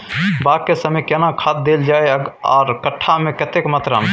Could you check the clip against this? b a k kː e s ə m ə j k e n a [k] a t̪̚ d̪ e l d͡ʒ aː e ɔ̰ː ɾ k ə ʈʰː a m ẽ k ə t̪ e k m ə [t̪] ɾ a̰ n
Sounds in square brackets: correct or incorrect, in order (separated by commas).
incorrect, correct